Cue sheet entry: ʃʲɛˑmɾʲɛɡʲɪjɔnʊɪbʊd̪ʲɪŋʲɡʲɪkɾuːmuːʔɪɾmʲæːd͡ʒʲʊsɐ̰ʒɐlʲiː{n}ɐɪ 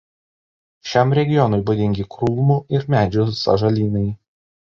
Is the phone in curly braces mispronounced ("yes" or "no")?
no